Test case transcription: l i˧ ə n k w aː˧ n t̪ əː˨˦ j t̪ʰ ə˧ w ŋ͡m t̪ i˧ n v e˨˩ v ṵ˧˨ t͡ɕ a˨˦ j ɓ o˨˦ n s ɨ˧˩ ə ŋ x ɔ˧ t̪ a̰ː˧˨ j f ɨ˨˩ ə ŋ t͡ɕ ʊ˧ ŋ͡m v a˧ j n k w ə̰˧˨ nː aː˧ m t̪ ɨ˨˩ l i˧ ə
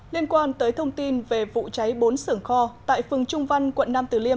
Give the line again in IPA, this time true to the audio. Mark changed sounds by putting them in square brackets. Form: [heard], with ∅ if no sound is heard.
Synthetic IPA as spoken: l i˧ ə n k w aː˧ n t̪ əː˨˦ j t̪ʰ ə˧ w ŋ͡m t̪ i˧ n v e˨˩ v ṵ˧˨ t͡ɕ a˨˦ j ɓ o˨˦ n s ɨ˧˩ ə ŋ x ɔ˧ t̪ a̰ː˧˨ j f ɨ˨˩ ə ŋ t͡ɕ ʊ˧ ŋ͡m v a˧ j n k w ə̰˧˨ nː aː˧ m t̪ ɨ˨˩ l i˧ ə